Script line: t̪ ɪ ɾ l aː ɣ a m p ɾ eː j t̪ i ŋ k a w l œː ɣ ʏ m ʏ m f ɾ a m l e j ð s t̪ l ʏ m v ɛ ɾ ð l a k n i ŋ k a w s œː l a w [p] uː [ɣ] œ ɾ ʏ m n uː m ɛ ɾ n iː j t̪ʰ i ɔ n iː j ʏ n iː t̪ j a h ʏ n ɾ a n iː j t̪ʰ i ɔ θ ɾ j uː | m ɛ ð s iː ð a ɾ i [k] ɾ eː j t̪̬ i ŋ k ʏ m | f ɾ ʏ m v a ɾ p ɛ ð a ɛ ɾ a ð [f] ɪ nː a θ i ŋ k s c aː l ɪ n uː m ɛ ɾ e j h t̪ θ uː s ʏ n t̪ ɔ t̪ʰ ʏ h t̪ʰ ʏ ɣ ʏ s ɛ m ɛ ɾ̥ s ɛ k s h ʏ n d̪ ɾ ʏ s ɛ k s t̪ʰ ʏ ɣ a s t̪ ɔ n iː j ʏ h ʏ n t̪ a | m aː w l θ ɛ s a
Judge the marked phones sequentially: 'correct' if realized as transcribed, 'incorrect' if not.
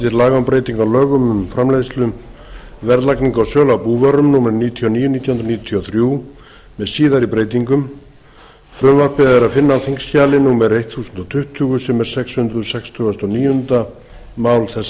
correct, incorrect, incorrect, correct

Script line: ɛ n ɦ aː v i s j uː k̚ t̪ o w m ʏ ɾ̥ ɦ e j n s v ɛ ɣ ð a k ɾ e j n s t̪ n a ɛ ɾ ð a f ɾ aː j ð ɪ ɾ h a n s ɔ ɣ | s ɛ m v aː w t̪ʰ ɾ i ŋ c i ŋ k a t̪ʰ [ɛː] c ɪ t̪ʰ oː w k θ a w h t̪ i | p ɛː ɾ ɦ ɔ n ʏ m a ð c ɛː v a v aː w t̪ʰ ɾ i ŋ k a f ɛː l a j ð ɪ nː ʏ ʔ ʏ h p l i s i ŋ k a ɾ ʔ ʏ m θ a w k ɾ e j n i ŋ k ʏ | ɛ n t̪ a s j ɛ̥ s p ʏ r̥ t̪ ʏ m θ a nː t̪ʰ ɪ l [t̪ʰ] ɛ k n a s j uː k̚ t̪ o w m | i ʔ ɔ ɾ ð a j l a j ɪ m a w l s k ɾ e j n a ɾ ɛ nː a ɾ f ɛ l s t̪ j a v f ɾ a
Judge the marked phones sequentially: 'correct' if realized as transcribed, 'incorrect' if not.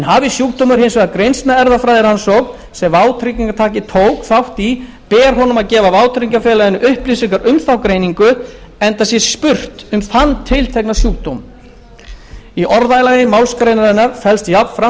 incorrect, correct

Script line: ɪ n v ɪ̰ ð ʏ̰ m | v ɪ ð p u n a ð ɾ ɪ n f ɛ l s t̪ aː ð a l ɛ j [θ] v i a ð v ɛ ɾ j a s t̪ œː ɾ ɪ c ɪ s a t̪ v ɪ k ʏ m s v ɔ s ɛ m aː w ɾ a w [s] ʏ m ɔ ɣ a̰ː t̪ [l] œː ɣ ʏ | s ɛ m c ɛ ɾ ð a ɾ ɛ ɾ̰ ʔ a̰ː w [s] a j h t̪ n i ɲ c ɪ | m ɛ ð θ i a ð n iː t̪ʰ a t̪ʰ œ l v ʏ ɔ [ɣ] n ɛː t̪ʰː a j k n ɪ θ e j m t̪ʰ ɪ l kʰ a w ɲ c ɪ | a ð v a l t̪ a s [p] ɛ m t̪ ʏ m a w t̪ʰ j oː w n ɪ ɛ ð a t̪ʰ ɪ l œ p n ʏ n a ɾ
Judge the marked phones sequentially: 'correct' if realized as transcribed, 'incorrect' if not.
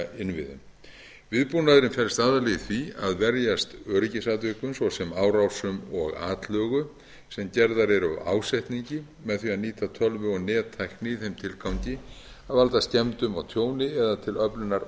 correct, correct, correct, correct, correct, incorrect

